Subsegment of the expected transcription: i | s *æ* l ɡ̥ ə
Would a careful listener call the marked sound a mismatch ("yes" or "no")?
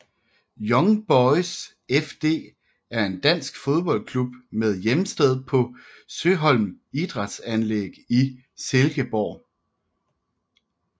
yes